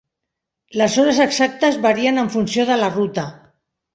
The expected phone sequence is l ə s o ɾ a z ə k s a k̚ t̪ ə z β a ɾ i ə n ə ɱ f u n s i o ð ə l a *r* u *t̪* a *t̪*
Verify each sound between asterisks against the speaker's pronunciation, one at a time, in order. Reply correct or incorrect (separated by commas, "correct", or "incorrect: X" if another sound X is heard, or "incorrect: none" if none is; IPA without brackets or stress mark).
correct, correct, incorrect: none